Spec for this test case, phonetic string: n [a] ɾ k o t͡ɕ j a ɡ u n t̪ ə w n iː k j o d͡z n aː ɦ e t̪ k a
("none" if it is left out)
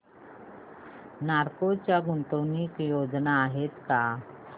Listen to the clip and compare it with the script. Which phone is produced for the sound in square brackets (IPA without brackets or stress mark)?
a